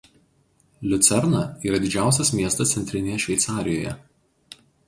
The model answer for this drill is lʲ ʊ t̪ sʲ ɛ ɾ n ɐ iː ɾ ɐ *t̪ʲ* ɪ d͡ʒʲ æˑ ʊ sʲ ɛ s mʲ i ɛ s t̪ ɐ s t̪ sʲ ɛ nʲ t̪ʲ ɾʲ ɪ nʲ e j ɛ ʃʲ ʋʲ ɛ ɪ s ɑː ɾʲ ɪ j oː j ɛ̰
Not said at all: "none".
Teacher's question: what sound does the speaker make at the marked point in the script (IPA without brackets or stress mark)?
d̪ʲ